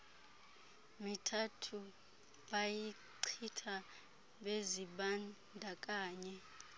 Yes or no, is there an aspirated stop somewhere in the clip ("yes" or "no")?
yes